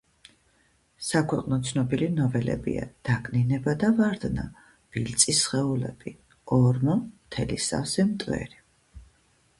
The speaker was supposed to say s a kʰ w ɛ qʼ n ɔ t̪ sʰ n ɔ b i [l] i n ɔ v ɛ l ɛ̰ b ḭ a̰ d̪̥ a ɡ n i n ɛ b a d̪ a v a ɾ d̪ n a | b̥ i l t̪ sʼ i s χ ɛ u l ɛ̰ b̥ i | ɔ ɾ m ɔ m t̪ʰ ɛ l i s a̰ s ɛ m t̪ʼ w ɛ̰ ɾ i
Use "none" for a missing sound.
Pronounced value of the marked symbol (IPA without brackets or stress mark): l